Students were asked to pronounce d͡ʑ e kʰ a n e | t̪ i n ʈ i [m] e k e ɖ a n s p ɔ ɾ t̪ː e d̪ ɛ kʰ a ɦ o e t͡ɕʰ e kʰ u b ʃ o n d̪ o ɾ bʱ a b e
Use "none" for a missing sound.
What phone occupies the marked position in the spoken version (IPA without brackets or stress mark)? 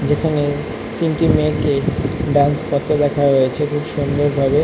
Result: m